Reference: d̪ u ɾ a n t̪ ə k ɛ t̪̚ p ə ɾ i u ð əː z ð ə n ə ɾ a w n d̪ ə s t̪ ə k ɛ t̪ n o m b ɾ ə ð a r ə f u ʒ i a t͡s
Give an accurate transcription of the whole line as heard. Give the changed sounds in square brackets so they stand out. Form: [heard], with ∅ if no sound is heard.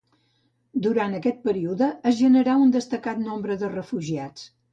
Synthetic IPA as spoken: d̪ u ɾ a n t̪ ə k ɛ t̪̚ p ə ɾ i u ð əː z [ʒ] ə n ə ɾ a [u] n d̪ ə s t̪ ə k [a] t̪ n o m b ɾ ə ð [ə] r ə f u ʒ i a t͡s